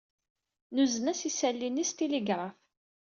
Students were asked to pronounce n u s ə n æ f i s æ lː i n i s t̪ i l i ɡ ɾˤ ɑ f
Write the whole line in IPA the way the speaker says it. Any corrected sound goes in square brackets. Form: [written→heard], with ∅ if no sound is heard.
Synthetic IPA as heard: n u [s→z] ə n æ [f→s] i s æ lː i n i s t̪ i l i ɡ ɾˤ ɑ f